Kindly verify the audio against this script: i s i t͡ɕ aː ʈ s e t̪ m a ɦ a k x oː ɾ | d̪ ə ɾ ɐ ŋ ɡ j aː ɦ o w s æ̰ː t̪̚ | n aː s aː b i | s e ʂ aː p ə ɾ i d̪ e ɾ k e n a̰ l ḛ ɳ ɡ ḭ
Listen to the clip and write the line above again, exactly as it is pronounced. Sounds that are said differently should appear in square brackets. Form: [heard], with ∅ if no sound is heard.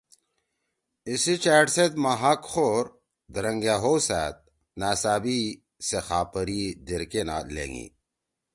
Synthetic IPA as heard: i s i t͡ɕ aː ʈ s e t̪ m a ɦ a k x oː ɾ | d̪ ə ɾ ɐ ŋ ɡ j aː ɦ o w s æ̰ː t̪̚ | n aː s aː b i | s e [x] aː p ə ɾ i d̪ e ɾ k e n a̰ l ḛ [ŋ] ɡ ḭ